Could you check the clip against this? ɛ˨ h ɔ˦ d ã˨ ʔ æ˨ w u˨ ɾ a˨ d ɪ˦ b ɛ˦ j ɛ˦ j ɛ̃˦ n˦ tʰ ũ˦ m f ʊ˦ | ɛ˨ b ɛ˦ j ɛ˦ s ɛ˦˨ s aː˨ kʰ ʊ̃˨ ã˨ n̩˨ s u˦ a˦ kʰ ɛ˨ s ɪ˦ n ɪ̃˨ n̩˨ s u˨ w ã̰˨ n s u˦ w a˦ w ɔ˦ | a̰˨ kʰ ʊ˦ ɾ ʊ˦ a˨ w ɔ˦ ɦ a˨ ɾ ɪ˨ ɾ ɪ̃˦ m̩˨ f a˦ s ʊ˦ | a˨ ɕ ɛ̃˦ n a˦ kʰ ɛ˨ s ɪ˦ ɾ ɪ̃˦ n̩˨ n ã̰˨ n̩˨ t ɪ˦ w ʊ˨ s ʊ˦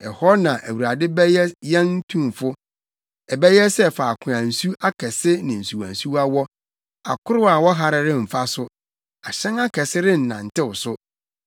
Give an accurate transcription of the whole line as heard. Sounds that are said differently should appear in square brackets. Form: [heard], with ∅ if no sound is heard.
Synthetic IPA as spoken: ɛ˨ h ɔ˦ [n] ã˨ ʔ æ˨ w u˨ ɾ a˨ d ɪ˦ b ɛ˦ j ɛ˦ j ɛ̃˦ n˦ tʰ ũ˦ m f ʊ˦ | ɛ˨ b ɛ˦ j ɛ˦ s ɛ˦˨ [f] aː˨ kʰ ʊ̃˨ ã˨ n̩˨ s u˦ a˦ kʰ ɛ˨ s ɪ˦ n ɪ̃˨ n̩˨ s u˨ w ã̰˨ n s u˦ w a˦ w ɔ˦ | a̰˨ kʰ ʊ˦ ɾ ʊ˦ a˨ w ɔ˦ ɦ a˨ ɾ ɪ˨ ɾ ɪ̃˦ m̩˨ f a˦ s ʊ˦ | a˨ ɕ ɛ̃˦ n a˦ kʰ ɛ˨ s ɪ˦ ɾ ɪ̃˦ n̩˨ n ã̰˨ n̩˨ t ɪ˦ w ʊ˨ s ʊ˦

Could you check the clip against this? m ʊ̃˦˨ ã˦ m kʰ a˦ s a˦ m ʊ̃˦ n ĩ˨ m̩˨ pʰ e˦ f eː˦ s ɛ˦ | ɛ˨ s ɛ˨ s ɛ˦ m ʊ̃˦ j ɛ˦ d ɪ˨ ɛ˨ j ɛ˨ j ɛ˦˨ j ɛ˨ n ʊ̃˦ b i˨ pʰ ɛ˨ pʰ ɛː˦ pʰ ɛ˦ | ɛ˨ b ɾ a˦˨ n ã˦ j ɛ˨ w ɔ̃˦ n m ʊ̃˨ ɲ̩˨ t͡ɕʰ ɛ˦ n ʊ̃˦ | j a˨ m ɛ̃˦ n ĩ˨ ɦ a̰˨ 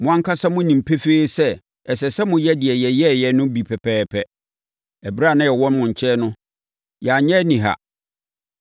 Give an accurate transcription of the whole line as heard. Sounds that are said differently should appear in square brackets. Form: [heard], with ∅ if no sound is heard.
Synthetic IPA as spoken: m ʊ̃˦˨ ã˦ [ŋ] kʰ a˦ s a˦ m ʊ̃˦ n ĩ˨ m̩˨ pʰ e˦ f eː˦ s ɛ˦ | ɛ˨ s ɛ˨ s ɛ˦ m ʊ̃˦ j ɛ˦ d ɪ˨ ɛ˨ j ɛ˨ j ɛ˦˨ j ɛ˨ n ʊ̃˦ b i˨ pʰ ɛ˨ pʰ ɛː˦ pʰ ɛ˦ | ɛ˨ b ɾ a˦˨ n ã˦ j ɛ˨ w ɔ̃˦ n m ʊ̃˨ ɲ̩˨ t͡ɕʰ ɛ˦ n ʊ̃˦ | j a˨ [ɲ] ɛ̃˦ n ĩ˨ ɦ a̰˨

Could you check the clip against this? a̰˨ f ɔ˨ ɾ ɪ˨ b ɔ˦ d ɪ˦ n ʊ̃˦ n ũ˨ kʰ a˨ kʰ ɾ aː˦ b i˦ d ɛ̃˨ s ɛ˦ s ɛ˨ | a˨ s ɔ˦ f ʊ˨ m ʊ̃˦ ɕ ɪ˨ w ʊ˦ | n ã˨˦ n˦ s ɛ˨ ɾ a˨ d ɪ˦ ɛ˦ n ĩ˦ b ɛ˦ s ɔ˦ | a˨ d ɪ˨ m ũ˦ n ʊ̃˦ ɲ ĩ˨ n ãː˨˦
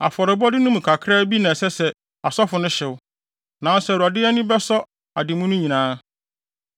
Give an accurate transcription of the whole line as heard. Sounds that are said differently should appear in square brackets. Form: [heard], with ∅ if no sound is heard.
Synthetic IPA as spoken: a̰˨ f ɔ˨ ɾ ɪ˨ b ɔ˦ d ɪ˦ n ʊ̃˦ [m] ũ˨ kʰ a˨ kʰ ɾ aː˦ b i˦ [n] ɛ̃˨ s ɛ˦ s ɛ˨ | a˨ s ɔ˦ f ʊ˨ [n] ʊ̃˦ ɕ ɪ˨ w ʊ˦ | n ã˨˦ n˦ s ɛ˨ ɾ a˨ d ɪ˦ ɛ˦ n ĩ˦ b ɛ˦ s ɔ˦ | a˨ d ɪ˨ m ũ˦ n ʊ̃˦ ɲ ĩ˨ n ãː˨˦

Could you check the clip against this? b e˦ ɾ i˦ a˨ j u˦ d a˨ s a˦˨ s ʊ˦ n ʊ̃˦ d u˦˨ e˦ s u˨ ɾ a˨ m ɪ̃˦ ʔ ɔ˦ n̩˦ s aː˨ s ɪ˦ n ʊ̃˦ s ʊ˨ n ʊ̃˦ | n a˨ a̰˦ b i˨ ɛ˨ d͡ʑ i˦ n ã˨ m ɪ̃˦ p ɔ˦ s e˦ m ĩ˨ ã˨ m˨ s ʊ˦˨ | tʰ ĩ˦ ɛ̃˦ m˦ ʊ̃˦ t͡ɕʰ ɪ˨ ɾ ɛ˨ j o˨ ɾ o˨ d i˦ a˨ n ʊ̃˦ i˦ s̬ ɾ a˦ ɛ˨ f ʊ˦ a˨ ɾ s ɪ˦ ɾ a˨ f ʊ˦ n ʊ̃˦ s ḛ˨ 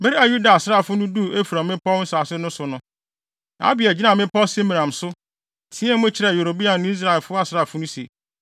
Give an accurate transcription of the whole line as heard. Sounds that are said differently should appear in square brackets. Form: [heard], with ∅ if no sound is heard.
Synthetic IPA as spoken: b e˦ ɾ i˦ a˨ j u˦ d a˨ s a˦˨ [f] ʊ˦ n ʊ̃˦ d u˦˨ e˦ [f] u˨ ɾ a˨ m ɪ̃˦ [p] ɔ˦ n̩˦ s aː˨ s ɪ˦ n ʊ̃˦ s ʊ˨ n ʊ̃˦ | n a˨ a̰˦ b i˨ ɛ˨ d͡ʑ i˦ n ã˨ m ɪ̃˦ p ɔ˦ s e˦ m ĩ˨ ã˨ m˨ s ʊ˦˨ | tʰ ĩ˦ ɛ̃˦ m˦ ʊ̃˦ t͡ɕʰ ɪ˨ ɾ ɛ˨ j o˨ ɾ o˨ [b] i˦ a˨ n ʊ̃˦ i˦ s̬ ɾ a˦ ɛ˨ f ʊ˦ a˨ [∅] s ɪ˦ ɾ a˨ f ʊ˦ n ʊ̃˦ s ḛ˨

